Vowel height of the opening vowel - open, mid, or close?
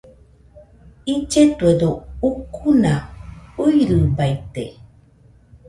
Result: close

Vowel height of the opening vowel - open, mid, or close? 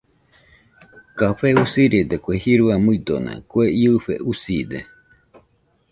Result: open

